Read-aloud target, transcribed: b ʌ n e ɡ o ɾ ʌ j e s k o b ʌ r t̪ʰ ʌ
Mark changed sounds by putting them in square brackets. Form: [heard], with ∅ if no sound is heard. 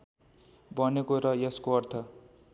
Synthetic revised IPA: b ʌ n e [k] o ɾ ʌ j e s k o [∅] ʌ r t̪ʰ ʌ

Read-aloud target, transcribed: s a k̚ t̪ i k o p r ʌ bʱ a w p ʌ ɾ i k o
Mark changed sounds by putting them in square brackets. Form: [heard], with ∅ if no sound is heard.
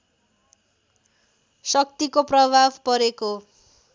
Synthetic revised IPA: s [ʌ] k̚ t̪ i k o p r ʌ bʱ a [b] p ʌ ɾ [e] k o

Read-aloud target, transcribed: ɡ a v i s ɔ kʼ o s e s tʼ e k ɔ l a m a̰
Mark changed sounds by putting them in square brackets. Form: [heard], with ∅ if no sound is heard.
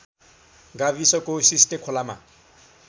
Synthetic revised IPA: ɡ a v i s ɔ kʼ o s [i] s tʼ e [kʰ] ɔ l a m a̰

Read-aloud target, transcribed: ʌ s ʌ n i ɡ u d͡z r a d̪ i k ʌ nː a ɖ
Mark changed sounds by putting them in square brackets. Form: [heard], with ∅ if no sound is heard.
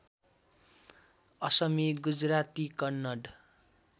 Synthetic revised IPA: ʌ s ʌ [m] i ɡ u d͡z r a [t̪] i k ʌ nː [ʌ] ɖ

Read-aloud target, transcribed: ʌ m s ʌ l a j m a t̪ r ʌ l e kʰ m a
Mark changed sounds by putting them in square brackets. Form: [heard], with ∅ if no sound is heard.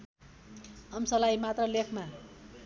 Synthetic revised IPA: ʌ m s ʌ l a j m a t̪ r ʌ l e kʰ m a

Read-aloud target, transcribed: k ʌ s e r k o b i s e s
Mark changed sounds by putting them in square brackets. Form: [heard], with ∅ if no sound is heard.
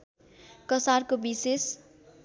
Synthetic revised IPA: k ʌ s [a] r k o b i s e s

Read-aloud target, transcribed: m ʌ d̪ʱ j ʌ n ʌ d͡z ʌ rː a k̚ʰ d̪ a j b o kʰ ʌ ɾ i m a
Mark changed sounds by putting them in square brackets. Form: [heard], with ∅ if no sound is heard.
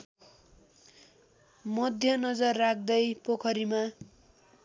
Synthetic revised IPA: m ʌ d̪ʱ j ʌ n ʌ d͡z ʌ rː a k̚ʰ d̪ [ʌ] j [p] o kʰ ʌ ɾ i m a

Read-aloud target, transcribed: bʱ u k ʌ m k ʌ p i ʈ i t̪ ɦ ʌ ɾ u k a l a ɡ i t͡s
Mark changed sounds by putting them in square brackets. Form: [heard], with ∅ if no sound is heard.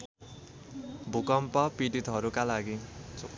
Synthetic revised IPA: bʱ u k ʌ m [p] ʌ p i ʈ i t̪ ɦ ʌ ɾ u k a l a ɡ i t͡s

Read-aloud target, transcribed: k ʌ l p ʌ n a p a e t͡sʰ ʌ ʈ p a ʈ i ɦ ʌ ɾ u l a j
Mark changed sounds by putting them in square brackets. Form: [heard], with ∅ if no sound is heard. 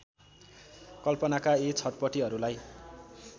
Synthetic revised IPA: k ʌ l p ʌ n a [k] a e t͡sʰ ʌ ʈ p [ʌ] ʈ i ɦ ʌ ɾ u l a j

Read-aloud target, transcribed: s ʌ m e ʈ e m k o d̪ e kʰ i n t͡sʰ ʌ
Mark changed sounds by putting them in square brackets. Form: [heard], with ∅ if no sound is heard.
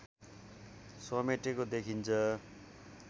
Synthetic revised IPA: s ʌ m e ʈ e [∅] k o d̪ e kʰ i n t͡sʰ ʌ

